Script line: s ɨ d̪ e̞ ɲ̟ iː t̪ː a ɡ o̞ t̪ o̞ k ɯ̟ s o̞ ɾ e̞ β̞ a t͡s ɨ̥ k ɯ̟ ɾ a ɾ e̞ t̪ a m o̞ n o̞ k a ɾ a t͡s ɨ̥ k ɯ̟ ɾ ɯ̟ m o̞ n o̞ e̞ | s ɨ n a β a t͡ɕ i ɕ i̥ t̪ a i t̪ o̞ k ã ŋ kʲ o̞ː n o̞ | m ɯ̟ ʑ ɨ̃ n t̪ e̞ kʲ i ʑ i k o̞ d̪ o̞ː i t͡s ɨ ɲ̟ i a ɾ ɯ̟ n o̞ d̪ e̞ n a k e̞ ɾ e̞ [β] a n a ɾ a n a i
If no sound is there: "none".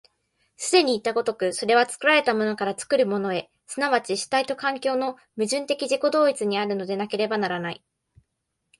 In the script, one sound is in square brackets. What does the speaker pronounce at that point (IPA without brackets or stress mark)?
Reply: b